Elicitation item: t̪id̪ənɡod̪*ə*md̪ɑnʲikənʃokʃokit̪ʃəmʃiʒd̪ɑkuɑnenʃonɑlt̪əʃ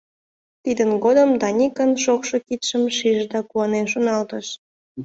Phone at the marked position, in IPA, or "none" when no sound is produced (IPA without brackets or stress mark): ə